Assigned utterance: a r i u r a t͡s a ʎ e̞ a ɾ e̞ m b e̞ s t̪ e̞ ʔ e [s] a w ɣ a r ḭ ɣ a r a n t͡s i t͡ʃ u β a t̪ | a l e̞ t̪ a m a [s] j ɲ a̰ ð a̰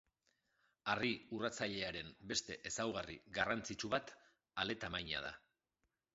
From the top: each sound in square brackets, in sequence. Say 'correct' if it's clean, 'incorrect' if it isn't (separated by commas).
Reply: correct, incorrect